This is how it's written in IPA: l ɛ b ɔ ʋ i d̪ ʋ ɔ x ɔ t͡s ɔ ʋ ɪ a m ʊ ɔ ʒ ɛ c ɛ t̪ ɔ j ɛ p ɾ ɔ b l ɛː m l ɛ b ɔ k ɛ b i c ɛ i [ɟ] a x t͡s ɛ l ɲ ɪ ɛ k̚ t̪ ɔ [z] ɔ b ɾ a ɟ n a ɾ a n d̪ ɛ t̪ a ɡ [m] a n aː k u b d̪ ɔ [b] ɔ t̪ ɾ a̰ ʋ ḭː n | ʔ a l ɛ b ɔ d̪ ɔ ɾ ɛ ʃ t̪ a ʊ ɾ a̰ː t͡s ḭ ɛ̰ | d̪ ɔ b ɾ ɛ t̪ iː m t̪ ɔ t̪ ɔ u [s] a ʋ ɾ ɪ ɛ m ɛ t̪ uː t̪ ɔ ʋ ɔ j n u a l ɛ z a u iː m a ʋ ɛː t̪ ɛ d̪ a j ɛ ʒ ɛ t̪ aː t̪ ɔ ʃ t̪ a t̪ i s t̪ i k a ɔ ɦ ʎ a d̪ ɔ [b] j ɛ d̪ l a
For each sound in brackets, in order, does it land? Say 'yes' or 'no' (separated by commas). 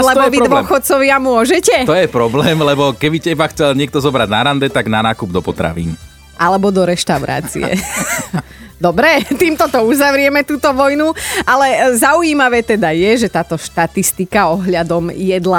no, yes, no, no, no, no